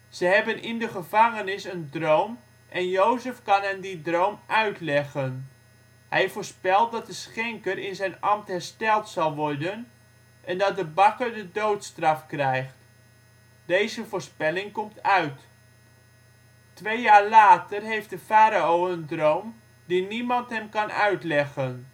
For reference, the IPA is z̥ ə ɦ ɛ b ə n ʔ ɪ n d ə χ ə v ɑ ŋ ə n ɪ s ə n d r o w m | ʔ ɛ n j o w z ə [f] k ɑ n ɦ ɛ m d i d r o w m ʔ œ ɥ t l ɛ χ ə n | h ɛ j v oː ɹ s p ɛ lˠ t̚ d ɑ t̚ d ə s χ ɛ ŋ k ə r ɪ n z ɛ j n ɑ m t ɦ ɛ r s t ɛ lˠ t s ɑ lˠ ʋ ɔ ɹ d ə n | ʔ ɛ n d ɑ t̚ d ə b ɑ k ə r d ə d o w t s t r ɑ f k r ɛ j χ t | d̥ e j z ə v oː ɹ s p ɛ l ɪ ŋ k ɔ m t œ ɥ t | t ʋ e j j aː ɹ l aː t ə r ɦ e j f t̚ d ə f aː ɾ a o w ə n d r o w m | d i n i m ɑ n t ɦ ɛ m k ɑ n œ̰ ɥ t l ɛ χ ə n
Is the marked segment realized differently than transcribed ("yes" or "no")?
no